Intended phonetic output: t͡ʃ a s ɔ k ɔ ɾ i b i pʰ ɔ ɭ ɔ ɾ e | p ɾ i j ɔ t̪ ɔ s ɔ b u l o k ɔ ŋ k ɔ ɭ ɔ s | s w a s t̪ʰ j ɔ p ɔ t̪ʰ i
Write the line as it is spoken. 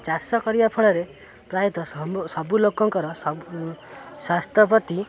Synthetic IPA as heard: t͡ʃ a s ɔ k ɔ ɾ i b a pʰ ɔ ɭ ɔ ɾ e | p ɾ a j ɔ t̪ ɔ s ɔ b u l o k ɔ ŋ k ɔ ɾ ɔ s | s w a s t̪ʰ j ɔ p ɔ t̪ i

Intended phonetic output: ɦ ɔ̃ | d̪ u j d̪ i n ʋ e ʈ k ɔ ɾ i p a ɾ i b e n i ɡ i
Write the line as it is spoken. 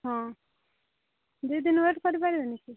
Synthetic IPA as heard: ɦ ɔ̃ | d̪ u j d̪ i n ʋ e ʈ k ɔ ɾ i p a ɾ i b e n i k i

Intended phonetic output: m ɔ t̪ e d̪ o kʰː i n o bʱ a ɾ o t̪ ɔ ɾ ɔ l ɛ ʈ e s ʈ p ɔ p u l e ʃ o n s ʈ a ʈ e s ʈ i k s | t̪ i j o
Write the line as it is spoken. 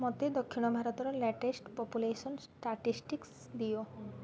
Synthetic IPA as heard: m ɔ t̪ e d̪ o kʰː i n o bʱ a ɾ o t̪ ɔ ɾ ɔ l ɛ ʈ e s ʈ p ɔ p u l e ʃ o n s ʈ a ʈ i s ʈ i k s | d̪ i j o

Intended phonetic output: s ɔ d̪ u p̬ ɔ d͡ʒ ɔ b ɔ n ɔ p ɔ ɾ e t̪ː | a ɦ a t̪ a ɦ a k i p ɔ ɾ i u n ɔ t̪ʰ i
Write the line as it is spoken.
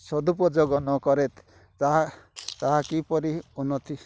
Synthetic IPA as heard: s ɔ d̪ u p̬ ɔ d͡ʒ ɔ ɡ ɔ n ɔ k ɔ ɾ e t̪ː | a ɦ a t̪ a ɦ a k i p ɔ ɾ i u n ɔ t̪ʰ i

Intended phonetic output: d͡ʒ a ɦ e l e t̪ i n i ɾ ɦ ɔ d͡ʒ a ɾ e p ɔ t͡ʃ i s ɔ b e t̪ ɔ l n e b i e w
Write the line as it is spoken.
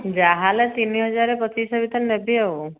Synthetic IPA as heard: d͡ʒ a ɦ a l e t̪ i n i ɦ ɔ d͡ʒ a ɾ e p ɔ t͡ʃ i s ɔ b i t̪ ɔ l n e b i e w

